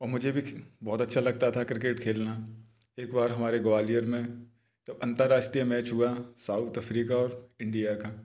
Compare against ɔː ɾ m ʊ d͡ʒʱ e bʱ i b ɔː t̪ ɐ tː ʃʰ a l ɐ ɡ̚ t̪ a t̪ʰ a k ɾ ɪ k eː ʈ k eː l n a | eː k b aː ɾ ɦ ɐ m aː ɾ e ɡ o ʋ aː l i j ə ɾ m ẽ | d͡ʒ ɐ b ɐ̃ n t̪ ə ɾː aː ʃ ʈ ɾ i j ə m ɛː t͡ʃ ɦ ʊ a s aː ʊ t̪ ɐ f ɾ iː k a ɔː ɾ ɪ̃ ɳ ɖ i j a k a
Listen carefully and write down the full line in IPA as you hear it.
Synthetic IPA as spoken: ɔː ɾ m ʊ d͡ʒʱ e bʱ i b ɔː t̪ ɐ tː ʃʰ a l ɐ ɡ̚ t̪ a t̪ʰ a k ɾ ɪ k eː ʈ kʰ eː l n a | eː k b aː ɾ ɦ ɐ m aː ɾ e ɡ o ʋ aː l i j ə ɾ m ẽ | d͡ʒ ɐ b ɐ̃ n t̪ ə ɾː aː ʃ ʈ ɾ i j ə m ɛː t͡ʃ ɦ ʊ a s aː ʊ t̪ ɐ f ɾ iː k a ɔː ɾ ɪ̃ ɳ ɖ i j a k a